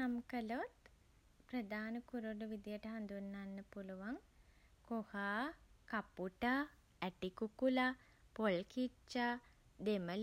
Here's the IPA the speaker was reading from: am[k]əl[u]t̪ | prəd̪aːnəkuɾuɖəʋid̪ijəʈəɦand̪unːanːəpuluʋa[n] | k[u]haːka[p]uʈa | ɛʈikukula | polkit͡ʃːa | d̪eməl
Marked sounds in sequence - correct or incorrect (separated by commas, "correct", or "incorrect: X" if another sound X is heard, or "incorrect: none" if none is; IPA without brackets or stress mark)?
correct, incorrect: o, incorrect: ŋ, incorrect: o, correct